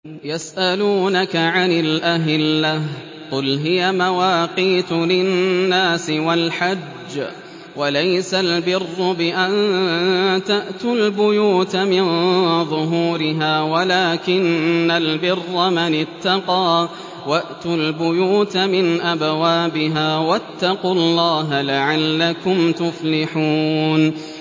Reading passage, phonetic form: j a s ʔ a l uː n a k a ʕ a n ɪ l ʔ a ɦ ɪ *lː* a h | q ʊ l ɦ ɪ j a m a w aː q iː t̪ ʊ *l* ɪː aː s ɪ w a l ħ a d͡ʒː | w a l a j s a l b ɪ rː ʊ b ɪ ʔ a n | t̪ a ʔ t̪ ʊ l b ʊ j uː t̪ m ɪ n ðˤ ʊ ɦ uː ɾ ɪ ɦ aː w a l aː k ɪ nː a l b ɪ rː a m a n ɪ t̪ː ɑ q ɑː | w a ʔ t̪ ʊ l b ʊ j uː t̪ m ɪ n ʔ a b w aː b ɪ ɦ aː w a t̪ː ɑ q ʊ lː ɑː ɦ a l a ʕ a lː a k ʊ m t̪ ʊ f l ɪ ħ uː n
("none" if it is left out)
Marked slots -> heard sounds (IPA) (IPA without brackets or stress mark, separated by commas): lː, l